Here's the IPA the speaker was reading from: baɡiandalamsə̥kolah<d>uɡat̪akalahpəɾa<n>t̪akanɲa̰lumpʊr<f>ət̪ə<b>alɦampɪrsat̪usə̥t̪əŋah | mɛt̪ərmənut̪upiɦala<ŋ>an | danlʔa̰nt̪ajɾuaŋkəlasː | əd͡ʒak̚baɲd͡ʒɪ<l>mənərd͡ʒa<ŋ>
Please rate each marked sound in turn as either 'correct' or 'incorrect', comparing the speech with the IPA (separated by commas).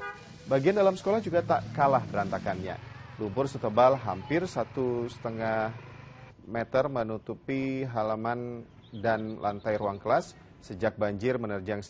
incorrect, correct, incorrect, correct, incorrect, incorrect, correct